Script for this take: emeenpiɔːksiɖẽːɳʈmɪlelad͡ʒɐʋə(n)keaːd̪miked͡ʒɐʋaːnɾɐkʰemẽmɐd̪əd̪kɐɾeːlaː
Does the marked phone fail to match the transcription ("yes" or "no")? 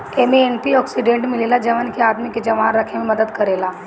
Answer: no